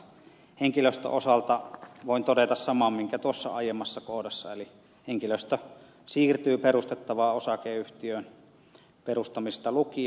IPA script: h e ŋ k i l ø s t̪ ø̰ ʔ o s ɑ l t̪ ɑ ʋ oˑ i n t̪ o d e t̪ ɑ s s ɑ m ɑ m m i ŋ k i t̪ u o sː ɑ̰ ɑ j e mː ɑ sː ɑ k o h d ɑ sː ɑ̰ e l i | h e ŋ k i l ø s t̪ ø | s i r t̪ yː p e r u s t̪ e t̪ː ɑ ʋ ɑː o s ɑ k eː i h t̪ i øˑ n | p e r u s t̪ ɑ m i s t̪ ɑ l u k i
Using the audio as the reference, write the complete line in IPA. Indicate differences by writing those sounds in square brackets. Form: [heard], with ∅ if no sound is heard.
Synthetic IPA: h e ŋ k i l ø s t̪ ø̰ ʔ o s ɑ l t̪ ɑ ʋ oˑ i n t̪ o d e t̪ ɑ s s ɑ m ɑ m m i ŋ k [æ] t̪ u o sː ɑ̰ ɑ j e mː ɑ sː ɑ k o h d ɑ sː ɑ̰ e l i | h e ŋ k i l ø s t̪ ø | s [iː] r t̪ yː p e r u s t̪ e t̪ː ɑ ʋ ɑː o s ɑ k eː [y] h t̪ i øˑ n | p e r u s t̪ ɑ m i s t̪ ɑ l u k i

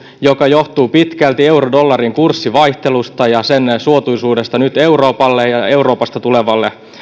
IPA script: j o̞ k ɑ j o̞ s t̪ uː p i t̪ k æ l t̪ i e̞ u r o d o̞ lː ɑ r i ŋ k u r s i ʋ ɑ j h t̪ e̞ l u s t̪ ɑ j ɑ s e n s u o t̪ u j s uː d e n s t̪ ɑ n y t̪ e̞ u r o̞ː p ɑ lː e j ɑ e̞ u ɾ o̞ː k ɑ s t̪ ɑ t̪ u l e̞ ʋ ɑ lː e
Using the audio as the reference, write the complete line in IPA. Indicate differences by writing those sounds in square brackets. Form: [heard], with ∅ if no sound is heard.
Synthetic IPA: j o̞ k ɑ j o̞ [h] t̪ uː p i t̪ k æ l t̪ i e̞ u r o d o̞ lː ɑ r i ŋ k u r [sː] i ʋ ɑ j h t̪ e̞ l u s t̪ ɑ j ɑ s e n s u o t̪ u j s uː d e [∅] s t̪ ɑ n y t̪ e̞ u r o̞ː p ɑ lː e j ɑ e̞ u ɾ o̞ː [p] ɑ s t̪ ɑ t̪ u l e̞ ʋ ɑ lː e

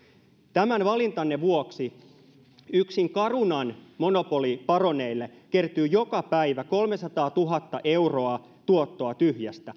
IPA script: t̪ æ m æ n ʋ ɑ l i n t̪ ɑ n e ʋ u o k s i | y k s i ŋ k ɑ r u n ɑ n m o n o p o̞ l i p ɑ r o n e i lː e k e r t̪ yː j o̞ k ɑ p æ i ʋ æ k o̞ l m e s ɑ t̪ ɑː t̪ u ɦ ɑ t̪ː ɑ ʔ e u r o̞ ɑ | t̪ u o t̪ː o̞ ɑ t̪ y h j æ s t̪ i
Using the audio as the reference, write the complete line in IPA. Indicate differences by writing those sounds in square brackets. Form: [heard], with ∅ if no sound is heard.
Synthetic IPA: t̪ æ m æ n ʋ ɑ l i n t̪ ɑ [nː] e ʋ u o k s i | y k s i ŋ k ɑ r u n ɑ n m o n o p o̞ l i p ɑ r o n e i lː e k e r t̪ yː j o̞ k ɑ p æ i ʋ æ k o̞ l m e s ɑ t̪ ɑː t̪ u ɦ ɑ t̪ː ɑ ʔ e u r o̞ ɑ | t̪ u o t̪ː o̞ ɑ t̪ y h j æ s t̪ [æ]

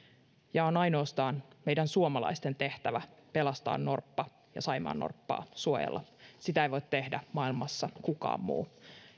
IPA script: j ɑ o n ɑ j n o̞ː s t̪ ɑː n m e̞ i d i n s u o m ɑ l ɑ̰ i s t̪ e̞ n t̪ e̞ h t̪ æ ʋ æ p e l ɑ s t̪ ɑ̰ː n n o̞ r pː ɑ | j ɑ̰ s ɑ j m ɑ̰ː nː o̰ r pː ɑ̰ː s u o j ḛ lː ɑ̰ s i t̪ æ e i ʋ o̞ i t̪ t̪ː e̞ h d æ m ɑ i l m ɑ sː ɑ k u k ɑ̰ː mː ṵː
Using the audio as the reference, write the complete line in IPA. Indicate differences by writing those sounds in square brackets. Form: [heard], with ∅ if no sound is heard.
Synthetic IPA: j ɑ o n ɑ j n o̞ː s t̪ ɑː n m e̞ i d [æ] n s u o m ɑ l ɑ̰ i s t̪ e̞ n t̪ e̞ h t̪ æ ʋ æ p e l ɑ s t̪ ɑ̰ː n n o̞ r pː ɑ | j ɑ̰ s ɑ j m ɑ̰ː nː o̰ r pː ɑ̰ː s u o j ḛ lː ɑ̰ s i t̪ æ e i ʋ o̞ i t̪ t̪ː e̞ h d æ m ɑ i l m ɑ sː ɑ k u k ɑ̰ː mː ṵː

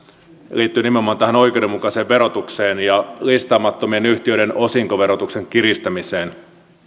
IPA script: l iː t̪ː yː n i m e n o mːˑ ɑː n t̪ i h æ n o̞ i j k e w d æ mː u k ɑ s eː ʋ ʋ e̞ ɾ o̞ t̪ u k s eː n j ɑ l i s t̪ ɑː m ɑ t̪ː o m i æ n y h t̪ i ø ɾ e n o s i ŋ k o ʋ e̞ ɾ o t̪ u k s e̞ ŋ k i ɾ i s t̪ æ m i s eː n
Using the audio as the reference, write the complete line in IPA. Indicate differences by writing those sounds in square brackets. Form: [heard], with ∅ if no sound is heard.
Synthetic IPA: l iː t̪ː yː n i m e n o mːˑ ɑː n t̪ [æ] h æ n o̞ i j k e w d [e] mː u k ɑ s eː ʋ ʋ e̞ ɾ o̞ t̪ u k s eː n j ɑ l i s t̪ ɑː m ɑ t̪ː o m i [e] n y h t̪ i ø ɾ e n o s i ŋ k o ʋ e̞ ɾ o t̪ u k s e̞ ŋ k i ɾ i s t̪ æ m i s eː n

